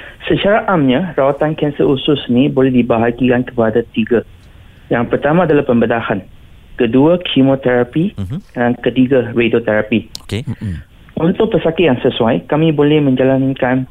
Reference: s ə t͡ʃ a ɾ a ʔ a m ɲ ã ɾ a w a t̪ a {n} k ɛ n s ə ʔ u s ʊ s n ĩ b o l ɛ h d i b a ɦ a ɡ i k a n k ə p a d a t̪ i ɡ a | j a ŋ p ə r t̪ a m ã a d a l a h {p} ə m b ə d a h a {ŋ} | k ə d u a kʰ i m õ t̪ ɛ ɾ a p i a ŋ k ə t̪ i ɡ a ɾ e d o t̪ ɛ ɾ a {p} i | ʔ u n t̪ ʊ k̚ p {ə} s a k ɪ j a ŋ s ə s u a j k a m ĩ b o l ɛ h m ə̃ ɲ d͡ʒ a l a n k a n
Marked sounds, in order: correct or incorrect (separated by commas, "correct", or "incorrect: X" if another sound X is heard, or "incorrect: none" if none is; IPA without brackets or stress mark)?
correct, correct, incorrect: n, correct, correct